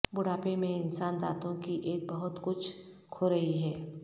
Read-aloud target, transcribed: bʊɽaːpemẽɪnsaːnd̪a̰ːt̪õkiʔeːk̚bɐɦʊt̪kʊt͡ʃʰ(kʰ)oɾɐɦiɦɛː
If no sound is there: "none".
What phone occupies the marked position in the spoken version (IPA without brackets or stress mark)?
kʰ